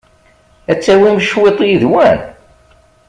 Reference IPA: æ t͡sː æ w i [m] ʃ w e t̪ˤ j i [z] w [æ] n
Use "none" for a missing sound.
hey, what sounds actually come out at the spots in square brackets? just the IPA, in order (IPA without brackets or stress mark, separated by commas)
m, ð, æ